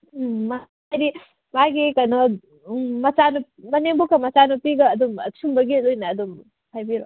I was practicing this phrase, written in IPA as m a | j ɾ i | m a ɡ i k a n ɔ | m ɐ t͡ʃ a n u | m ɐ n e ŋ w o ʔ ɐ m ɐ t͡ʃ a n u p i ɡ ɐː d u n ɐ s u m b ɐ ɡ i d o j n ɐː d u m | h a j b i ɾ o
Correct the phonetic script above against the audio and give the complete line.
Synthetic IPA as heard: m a | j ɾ i | m a ɡ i k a n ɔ | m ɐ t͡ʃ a n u | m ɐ n e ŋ b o k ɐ m ɐ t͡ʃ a n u p i ɡ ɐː d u m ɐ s u m b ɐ ɡ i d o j n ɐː d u m | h a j b i ɾ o